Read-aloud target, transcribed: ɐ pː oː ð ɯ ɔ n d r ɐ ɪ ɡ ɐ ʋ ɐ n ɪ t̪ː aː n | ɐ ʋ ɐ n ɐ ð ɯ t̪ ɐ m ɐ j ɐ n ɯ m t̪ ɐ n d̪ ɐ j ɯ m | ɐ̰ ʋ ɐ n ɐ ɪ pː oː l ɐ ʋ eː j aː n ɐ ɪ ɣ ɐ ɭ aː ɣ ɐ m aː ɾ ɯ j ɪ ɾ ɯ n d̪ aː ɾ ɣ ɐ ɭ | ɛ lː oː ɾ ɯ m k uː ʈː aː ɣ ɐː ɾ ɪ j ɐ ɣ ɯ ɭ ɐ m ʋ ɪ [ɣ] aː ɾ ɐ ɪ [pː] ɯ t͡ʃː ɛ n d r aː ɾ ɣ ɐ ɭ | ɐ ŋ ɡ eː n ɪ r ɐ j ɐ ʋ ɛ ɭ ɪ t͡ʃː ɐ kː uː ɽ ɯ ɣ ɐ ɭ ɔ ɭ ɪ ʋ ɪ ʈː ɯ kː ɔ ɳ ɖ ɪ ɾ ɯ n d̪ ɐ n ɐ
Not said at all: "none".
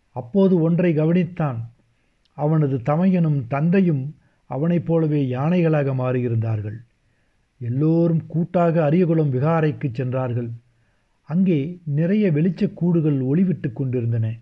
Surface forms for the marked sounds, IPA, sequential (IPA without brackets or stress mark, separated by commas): ɣ, kː